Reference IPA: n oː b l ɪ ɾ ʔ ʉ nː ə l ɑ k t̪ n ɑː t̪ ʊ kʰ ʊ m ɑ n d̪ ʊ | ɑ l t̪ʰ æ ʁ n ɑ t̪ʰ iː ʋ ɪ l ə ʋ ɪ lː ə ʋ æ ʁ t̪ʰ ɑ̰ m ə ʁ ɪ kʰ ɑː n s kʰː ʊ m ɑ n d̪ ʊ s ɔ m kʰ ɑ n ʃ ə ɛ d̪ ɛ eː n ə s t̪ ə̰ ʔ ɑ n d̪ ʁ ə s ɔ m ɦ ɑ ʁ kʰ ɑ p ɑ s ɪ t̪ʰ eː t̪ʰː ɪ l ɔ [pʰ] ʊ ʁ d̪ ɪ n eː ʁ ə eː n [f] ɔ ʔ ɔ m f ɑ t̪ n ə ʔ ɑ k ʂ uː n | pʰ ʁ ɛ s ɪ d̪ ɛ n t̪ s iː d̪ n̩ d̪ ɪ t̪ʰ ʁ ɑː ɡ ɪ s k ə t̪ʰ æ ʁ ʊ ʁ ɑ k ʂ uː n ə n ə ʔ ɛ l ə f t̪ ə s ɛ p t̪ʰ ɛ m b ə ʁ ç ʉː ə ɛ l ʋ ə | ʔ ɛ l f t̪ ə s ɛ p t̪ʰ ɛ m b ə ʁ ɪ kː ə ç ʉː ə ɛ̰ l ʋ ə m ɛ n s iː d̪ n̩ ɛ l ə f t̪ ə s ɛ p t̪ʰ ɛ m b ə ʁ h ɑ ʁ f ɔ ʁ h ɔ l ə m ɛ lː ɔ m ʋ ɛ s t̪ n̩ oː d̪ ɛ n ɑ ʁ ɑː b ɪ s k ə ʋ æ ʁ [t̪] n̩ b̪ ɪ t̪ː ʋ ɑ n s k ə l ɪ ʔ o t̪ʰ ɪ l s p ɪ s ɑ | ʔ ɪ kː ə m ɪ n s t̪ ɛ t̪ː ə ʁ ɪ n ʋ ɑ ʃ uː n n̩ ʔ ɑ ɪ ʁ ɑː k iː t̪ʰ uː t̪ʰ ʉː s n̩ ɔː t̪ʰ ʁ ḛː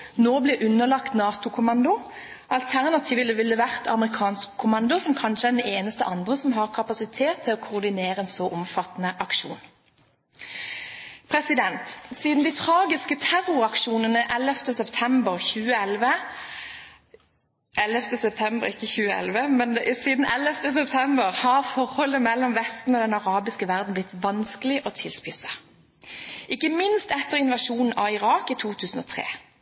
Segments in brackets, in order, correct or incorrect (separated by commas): incorrect, incorrect, incorrect